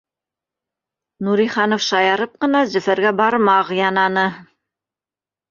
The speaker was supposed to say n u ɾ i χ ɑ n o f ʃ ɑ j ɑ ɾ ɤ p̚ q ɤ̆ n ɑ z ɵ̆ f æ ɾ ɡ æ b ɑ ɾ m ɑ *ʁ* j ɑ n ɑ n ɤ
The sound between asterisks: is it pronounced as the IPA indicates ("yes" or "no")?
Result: yes